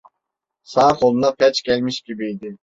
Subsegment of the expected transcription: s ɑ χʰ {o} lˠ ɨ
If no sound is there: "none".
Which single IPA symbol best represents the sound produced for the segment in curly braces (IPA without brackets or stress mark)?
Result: o